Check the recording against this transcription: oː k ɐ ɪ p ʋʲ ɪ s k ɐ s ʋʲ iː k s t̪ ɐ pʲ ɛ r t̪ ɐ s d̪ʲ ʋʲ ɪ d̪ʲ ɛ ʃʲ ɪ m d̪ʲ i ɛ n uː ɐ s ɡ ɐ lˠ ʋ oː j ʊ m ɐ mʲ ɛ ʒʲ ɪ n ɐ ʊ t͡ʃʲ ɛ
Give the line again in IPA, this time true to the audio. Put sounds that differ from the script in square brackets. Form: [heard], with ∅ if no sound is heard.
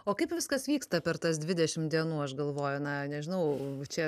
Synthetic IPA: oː k ɐ ɪ p ʋʲ ɪ s k ɐ s ʋʲ iː k s t̪ ɐ pʲ ɛ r t̪ ɐ s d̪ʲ ʋʲ ɪ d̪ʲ ɛ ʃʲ ɪ m d̪ʲ i ɛ n uː ɐ [ʃ] ɡ ɐ lˠ ʋ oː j ʊ [n] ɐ [nʲ] ɛ ʒʲ ɪ n ɐ ʊ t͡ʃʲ ɛ